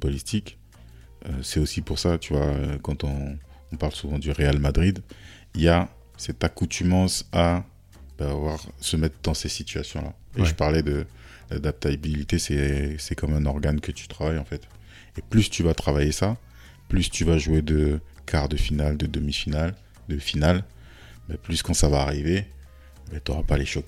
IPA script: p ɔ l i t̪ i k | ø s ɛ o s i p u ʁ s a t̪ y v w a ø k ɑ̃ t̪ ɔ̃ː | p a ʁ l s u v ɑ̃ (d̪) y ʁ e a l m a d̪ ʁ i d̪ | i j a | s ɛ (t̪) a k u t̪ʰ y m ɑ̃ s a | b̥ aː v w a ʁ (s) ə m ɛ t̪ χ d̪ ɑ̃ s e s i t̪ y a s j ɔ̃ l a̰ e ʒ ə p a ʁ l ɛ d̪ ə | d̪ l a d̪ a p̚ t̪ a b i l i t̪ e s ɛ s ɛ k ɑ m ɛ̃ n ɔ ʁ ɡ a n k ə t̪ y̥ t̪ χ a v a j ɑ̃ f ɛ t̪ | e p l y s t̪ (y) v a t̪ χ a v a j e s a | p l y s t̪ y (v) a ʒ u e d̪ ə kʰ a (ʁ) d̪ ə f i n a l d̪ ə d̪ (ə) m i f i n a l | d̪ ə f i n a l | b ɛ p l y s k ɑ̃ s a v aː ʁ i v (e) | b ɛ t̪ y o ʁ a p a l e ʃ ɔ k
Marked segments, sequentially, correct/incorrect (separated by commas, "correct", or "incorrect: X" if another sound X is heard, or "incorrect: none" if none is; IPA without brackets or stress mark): correct, correct, correct, correct, correct, correct, correct, correct